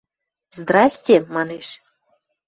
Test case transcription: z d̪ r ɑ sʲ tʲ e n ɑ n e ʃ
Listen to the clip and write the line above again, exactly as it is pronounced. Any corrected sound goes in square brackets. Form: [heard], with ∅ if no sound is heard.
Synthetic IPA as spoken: z d̪ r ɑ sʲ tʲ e [m] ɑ n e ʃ